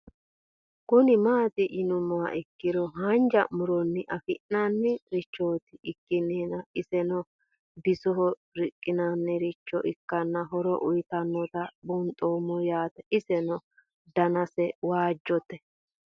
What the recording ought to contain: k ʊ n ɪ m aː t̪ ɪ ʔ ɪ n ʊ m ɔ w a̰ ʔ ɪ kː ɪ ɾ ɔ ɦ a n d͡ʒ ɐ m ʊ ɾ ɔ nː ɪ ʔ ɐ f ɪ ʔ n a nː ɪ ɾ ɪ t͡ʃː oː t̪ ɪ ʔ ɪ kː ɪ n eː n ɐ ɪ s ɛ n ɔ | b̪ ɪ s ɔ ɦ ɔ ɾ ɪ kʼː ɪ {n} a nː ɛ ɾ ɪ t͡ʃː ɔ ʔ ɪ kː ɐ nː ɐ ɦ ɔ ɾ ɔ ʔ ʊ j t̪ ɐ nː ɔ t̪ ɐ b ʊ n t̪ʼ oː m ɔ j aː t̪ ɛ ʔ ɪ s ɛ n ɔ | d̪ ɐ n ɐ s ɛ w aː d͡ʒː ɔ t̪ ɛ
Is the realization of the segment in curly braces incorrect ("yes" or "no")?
no